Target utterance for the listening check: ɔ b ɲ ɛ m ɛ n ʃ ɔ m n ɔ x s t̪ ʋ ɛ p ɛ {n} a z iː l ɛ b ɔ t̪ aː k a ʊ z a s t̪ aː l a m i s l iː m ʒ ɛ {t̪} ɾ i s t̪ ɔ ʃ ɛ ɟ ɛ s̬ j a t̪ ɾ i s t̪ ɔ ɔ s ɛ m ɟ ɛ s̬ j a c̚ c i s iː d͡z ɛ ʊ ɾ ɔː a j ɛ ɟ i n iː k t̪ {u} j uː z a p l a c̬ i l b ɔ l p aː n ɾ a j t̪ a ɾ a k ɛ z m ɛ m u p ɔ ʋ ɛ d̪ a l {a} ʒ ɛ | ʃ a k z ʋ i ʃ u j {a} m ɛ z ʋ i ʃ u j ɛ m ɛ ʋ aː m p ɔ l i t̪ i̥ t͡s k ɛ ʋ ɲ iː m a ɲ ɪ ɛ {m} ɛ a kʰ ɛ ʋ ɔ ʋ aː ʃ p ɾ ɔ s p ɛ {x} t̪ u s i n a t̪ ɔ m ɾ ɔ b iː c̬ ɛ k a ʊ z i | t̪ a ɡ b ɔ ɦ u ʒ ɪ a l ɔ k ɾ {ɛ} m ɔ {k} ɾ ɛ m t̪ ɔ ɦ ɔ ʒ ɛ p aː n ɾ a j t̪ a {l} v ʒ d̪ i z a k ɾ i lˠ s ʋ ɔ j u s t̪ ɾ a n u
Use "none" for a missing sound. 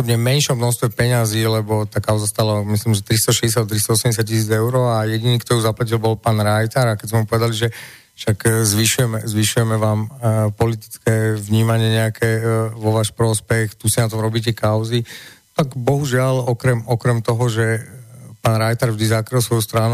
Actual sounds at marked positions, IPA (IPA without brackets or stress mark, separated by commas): ɲ, t̪, ɔ, i, ɛ, ɲ, x, ɛ, k, ɾ